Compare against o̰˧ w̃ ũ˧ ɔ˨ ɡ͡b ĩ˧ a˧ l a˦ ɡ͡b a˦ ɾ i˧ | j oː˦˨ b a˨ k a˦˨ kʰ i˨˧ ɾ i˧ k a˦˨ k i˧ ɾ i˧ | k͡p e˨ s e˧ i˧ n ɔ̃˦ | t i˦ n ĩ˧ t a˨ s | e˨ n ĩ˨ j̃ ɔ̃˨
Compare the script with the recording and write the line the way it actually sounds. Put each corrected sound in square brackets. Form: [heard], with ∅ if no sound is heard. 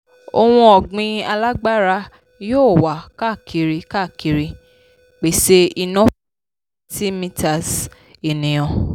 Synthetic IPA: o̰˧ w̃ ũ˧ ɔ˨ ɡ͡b ĩ˧ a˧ l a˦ ɡ͡b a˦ ɾ [a˧] | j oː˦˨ [w] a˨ k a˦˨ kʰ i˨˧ ɾ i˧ k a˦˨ k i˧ ɾ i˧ | k͡p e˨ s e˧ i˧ n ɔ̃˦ | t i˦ [m] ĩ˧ t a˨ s | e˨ n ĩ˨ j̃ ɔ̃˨